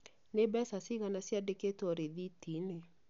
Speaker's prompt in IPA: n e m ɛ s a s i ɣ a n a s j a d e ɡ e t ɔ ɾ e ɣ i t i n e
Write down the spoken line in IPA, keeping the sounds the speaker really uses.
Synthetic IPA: n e b ɛ s a s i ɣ a n a s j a d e k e t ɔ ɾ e ð i t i n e